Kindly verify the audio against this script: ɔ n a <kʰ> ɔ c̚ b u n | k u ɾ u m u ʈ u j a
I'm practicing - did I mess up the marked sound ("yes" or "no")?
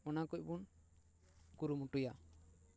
yes